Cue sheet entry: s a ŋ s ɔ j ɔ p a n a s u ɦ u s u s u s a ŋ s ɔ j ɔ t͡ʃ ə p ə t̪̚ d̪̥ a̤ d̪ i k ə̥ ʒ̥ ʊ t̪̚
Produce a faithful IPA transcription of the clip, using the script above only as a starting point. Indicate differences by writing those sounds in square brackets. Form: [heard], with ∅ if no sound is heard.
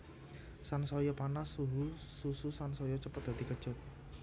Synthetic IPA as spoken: s a [n] s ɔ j ɔ p a n a s u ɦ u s u s u s a [n] s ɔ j ɔ t͡ʃ ə p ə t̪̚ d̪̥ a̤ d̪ i k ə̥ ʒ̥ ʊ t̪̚